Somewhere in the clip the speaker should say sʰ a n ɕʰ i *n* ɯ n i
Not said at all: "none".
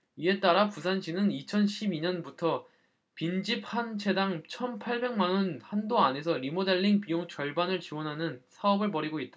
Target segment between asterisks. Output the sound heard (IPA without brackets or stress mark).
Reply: n